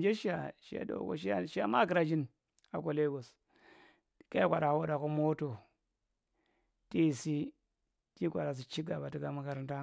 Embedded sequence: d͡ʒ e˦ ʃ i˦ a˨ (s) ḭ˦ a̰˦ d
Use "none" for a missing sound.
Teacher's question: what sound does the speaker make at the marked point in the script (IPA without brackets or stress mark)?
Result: ʃ